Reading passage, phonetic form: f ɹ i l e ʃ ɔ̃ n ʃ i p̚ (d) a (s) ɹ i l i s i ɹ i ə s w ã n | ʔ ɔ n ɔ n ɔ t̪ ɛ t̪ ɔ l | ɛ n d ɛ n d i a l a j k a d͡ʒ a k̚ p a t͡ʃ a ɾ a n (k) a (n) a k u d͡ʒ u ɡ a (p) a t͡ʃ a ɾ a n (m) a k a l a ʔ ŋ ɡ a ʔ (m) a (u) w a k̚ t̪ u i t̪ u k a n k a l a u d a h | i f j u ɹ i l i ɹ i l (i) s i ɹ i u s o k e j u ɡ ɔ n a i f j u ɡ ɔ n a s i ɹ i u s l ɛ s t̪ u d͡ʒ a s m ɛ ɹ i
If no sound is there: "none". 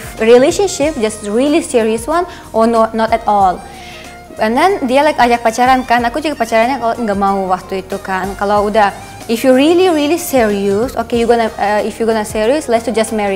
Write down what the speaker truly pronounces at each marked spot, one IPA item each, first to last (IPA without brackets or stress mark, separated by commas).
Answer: d͡ʒ, s, k, n, p, ɲ, m, u, i